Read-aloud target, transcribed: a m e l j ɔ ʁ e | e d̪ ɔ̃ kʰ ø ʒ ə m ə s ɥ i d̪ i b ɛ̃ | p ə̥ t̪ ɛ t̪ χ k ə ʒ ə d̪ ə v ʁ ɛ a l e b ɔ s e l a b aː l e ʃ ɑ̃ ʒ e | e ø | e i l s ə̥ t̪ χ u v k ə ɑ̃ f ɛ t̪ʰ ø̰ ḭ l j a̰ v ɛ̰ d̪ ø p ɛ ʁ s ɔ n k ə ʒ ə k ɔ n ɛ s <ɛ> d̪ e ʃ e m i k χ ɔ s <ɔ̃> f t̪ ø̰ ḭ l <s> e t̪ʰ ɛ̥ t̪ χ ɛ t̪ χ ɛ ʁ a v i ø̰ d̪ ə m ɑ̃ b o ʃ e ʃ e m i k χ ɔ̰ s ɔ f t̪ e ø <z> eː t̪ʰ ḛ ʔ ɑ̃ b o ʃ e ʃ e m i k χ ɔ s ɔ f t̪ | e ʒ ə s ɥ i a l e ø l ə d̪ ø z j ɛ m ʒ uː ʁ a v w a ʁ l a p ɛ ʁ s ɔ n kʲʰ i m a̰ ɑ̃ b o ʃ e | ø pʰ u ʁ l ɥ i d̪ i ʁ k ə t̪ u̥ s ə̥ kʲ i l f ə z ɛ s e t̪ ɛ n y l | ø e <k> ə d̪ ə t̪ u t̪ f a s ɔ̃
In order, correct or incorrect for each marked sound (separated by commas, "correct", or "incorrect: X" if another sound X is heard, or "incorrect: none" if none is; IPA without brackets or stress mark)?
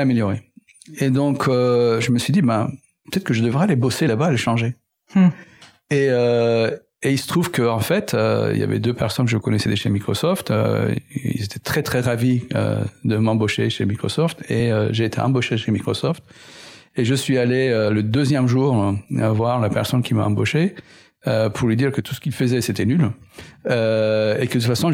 correct, incorrect: ɔ, incorrect: z, incorrect: ʒ, correct